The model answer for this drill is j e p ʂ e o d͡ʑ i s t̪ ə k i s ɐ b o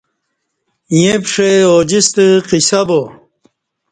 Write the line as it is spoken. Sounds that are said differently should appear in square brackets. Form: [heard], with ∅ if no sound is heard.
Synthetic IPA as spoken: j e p ʂ e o d͡ʑ i s t̪ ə [q] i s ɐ b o